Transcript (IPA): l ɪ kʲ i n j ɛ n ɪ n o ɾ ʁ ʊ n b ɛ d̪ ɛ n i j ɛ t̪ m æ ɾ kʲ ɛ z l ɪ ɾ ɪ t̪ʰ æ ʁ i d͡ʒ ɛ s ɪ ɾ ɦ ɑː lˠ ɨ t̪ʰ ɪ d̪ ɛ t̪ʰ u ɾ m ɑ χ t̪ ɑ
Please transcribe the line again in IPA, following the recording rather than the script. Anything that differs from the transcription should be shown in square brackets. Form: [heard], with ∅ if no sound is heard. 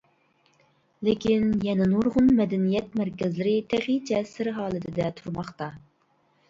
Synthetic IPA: l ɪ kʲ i n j ɛ n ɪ n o ɾ ʁ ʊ n [m] ɛ d̪ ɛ n i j ɛ t̪ m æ ɾ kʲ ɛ z l ɪ ɾ ɪ t̪ʰ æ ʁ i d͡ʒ ɛ s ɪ ɾ ɦ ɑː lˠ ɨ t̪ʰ ɪ d̪ ɛ t̪ʰ u ɾ m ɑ χ t̪ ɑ